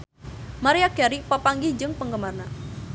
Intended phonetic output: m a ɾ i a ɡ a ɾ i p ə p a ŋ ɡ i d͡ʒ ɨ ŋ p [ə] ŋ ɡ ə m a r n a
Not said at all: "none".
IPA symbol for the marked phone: ə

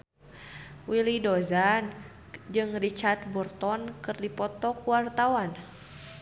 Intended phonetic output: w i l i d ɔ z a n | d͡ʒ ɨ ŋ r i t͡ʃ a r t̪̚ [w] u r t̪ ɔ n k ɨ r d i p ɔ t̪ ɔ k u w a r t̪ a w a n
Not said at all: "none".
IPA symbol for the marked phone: b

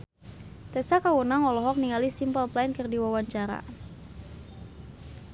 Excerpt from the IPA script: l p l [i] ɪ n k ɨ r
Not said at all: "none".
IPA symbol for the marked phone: a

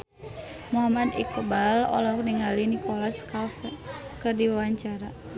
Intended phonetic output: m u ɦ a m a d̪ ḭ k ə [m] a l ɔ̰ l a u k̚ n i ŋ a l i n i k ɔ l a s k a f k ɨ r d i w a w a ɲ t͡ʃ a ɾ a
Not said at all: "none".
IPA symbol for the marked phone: b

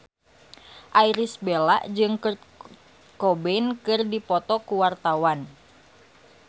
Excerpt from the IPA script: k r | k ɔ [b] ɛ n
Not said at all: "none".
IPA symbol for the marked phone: b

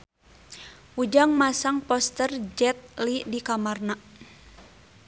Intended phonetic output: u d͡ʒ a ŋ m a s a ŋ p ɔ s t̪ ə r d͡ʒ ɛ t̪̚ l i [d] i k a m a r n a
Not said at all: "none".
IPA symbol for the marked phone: d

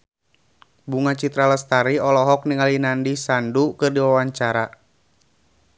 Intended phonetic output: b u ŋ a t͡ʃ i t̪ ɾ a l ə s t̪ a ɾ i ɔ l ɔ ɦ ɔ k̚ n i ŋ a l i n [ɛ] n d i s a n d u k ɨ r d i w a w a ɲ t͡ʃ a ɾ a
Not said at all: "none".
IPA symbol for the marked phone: a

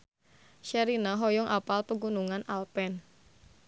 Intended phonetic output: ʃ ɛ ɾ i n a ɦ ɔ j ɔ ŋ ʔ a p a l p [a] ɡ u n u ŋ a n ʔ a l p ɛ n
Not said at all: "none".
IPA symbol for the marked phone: ə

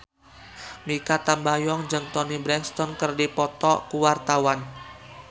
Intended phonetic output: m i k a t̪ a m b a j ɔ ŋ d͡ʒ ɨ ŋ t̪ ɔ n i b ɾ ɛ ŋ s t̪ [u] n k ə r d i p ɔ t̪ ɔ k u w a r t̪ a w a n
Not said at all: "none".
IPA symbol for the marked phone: ɔ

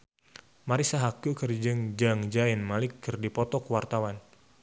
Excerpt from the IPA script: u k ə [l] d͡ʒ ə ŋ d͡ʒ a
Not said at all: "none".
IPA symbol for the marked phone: r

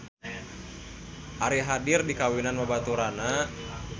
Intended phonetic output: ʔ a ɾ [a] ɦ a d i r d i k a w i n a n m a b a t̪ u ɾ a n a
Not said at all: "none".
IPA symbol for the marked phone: i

